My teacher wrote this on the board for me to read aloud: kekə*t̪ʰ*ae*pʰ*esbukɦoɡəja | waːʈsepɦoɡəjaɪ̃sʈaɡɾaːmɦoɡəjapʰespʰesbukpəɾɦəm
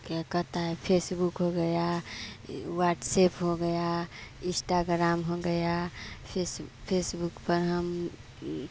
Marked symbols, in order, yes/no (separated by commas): no, yes